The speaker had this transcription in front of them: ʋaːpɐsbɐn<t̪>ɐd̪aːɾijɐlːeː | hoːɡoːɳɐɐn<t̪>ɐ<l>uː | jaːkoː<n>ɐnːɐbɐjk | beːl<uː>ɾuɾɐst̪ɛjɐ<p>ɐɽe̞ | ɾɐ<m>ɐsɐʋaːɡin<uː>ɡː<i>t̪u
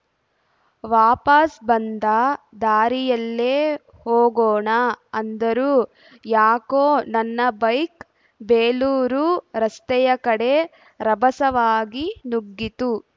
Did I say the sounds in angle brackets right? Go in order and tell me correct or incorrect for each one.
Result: incorrect, incorrect, incorrect, correct, correct, incorrect, incorrect, incorrect, correct

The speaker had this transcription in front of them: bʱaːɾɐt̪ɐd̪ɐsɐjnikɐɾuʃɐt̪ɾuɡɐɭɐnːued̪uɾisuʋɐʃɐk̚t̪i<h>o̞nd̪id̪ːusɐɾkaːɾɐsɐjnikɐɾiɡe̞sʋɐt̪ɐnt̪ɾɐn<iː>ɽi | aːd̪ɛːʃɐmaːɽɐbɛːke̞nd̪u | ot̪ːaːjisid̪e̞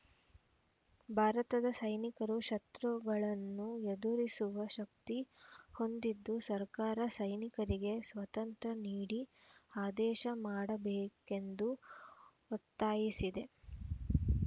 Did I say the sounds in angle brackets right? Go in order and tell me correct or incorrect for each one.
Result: correct, correct

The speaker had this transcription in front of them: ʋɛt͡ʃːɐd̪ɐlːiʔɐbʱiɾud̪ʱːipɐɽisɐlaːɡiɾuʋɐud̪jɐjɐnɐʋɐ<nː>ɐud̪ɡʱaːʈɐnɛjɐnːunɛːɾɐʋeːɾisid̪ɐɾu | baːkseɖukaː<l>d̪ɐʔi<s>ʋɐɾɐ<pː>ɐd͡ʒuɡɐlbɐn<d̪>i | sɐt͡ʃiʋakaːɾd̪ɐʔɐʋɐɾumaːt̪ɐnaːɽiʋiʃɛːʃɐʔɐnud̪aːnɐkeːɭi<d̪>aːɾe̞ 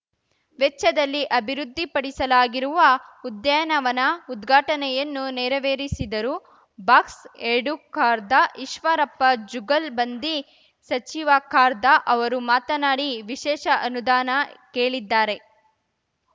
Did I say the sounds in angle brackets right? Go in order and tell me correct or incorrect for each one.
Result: incorrect, incorrect, incorrect, correct, correct, incorrect

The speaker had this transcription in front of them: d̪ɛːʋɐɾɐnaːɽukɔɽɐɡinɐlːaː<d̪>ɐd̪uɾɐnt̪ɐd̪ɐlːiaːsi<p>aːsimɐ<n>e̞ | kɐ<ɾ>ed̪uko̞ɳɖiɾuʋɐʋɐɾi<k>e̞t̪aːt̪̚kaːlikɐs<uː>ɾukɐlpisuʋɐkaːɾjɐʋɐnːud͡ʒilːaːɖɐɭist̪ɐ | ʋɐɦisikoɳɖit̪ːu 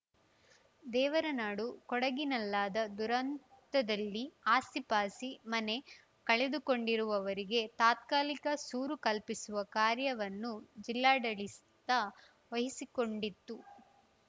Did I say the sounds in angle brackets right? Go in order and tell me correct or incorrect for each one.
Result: correct, correct, correct, incorrect, incorrect, correct

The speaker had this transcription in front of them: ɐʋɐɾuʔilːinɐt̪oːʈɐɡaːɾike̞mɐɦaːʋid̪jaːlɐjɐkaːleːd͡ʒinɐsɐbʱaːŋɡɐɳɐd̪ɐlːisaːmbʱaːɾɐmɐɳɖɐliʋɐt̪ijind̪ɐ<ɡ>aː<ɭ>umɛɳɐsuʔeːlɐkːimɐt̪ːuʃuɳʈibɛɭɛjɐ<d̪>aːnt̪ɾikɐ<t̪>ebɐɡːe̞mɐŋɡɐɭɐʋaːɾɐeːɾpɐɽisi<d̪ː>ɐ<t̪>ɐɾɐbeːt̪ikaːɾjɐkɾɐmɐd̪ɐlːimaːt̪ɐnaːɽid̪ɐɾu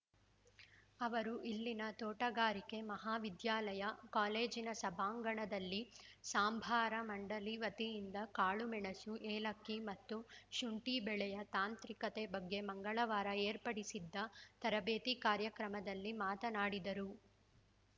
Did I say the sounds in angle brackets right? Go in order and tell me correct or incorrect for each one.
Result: incorrect, correct, incorrect, correct, correct, correct

